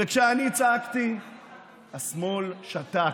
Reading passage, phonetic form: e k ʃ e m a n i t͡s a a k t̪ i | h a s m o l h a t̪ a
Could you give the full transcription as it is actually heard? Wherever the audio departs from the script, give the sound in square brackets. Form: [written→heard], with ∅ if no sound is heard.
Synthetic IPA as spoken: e k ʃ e [m→∅] a n i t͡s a a k t̪ i | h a s m o l [h→ʃ] a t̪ a